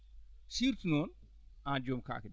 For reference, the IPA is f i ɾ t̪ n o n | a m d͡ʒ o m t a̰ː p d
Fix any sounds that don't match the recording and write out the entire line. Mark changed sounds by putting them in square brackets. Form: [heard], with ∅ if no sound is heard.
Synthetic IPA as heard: [s] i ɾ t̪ n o n | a [∅] d͡ʒ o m [k] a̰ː [k] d